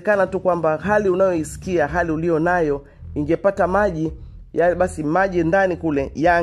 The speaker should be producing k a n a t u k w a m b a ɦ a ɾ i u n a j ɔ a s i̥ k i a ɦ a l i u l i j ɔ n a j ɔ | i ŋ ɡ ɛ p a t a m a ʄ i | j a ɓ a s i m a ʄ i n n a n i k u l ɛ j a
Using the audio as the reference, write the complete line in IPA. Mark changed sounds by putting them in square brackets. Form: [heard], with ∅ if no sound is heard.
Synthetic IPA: k a n a t u k w a m b a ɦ a [l] i u n a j ɔ [i] s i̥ k i a ɦ a l i u l i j ɔ n a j ɔ | i ŋ ɡ ɛ p a t a m a ʄ i | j a ɓ a s i m a ʄ i n [d] a n i k u l ɛ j a